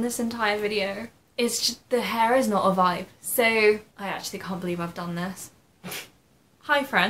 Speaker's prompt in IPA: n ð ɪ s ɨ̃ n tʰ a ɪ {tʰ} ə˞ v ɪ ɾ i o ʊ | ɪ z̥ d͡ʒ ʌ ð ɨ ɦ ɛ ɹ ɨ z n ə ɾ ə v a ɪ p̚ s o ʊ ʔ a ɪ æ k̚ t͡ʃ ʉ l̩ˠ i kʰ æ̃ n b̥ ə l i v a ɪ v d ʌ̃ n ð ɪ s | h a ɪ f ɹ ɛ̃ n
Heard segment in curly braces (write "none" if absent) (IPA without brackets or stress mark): none